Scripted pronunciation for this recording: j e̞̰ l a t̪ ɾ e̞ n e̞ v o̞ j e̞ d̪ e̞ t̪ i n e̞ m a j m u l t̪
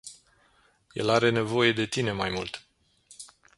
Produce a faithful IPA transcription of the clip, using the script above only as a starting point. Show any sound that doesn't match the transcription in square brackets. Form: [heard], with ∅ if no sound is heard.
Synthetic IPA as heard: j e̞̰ l a [∅] ɾ e̞ n e̞ v o̞ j e̞ d̪ e̞ t̪ i n e̞ m a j m u l t̪